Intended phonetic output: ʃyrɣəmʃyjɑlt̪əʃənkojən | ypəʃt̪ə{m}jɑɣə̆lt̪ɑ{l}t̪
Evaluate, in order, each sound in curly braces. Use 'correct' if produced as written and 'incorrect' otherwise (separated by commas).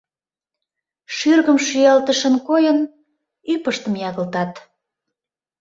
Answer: correct, incorrect